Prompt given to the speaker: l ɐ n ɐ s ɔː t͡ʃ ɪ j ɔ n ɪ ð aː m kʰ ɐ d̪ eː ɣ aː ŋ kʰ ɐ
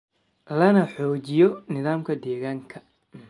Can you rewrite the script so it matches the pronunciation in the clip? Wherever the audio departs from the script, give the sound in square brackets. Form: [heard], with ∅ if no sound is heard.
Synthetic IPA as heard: l ɐ n ɐ [ħ] ɔː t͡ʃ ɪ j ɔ n ɪ ð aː m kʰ ɐ d̪ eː ɣ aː ŋ kʰ ɐ

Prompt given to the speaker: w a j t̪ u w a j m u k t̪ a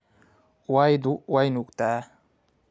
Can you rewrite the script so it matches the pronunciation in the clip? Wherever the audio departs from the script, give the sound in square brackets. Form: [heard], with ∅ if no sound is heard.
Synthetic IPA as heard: w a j [d̪] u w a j [n] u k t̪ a

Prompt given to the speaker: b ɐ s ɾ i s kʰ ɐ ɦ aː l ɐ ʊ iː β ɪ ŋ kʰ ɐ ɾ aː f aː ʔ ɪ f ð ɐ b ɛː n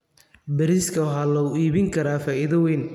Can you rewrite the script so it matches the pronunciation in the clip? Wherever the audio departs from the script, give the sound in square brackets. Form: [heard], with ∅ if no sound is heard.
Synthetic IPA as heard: b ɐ [∅] ɾ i s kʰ ɐ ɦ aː l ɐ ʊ iː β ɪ ŋ kʰ ɐ ɾ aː f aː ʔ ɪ [∅] ð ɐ [w] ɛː n

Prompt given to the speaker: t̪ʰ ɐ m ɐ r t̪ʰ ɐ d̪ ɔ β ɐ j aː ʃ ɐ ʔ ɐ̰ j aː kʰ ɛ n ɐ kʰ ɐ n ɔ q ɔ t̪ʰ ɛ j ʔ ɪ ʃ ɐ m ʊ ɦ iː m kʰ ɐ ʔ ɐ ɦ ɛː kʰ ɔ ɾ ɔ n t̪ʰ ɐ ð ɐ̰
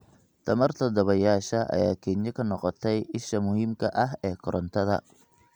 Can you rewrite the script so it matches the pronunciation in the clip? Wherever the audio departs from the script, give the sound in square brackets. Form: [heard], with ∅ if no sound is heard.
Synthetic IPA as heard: t̪ʰ ɐ m ɐ r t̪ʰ ɐ d̪ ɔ β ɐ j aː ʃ ɐ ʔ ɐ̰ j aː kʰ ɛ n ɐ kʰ ɐ n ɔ q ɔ t̪ʰ ɛ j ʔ ɪ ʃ ɐ m ʊ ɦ iː m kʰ ɐ ʔ ɐ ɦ ɛː kʰ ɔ ɾ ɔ n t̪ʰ ɐ ð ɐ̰

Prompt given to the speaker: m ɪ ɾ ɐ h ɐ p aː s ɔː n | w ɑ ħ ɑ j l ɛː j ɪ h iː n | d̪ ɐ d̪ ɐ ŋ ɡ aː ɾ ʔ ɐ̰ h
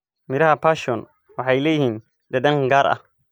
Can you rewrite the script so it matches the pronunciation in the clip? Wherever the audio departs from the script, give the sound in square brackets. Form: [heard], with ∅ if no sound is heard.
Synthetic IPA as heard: m ɪ ɾ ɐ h ɐ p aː [ʃ] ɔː n | w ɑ ħ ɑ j l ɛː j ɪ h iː n | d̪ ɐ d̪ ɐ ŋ ɡ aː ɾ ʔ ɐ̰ h

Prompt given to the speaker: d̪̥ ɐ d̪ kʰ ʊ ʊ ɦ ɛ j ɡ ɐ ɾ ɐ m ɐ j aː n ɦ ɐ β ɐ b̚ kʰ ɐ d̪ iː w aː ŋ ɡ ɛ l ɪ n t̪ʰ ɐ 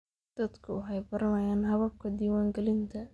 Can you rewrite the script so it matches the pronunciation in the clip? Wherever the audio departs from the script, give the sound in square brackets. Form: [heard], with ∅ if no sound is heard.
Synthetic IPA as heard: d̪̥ ɐ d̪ kʰ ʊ ʊ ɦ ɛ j [b] ɐ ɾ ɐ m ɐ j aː n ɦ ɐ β ɐ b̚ kʰ ɐ d̪ iː w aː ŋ ɡ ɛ l ɪ n t̪ʰ ɐ

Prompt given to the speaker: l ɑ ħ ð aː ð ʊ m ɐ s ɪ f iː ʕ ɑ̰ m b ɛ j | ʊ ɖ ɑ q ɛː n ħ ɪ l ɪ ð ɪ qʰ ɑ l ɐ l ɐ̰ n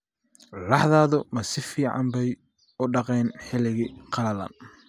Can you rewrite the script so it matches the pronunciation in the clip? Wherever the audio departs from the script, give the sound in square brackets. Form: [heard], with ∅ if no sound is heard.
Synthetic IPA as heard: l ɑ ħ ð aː ð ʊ m ɐ s ɪ f iː ʕ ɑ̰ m b ɛ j | ʊ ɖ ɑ q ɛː n ħ ɪ l ɪ [ɣ] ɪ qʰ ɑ l ɐ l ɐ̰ n

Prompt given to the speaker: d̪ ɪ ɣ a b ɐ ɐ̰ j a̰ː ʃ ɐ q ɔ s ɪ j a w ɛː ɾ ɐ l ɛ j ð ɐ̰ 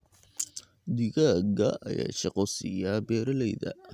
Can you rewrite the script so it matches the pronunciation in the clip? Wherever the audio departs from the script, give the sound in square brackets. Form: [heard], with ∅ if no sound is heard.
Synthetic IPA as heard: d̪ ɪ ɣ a [ɡ] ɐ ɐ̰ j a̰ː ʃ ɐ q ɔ s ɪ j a [b] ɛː ɾ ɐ l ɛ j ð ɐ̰

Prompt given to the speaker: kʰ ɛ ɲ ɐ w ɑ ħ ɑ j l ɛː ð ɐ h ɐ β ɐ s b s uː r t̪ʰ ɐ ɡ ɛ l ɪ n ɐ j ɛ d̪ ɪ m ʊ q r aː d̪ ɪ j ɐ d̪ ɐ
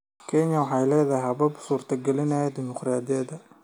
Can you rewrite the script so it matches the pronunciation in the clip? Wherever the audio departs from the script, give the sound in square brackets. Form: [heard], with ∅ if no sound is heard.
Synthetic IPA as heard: kʰ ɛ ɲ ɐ w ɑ ħ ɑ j l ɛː ð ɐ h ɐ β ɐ [∅] b s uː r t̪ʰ ɐ ɡ ɛ l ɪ n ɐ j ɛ d̪ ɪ m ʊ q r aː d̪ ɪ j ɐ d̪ ɐ

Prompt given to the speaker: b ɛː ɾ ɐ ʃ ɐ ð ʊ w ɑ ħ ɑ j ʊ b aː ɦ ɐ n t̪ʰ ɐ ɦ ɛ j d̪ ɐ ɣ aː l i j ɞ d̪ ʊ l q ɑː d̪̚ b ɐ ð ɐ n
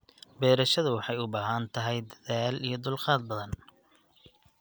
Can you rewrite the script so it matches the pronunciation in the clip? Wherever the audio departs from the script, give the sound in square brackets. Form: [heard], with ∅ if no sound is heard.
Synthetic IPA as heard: b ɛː ɾ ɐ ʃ ɐ ð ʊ w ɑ ħ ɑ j ʊ b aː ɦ ɐ n t̪ʰ ɐ ɦ ɛ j d̪ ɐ [ð] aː l i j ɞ d̪ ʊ l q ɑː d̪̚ b ɐ ð ɐ n

